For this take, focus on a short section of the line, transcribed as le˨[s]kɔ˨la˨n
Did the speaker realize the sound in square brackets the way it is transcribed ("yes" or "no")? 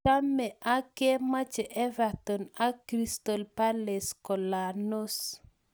yes